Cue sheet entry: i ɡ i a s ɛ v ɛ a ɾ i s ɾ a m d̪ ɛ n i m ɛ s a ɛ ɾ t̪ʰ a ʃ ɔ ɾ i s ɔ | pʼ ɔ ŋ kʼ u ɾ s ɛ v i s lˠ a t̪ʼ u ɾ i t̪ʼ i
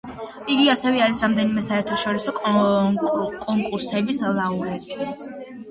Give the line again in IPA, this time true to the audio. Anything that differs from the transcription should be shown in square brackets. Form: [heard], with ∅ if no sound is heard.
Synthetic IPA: i ɡ i a s ɛ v ɛ a ɾ i s ɾ a m d̪ ɛ n i m ɛ s a ɛ ɾ t̪ʰ a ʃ ɔ ɾ i s ɔ | [kʼ] ɔ ŋ kʼ u ɾ s ɛ [b] i s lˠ a [∅] u ɾ [ɛ] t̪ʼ i